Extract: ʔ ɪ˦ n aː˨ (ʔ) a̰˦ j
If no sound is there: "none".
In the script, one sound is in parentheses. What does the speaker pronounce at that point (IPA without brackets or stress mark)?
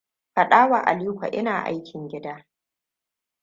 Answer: ʔ